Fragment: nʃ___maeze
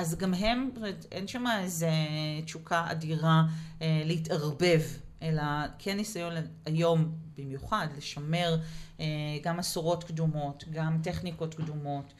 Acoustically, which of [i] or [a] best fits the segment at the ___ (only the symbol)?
a